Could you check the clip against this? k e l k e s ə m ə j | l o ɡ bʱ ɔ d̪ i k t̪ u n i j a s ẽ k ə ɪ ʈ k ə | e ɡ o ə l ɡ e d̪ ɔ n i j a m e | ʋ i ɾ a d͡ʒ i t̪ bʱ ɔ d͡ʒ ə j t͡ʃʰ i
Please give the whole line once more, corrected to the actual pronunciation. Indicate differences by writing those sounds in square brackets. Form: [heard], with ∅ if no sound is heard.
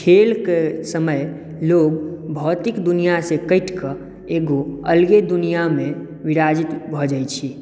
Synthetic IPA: [kʰ] e l k e s ə m ə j | l o ɡ bʱ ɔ [t̪] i k [d̪] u n i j a s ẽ k ə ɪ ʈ k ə | e ɡ o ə l ɡ e d̪ [u] n i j a m e | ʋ i ɾ a d͡ʒ i t̪ bʱ ɔ d͡ʒ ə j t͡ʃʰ i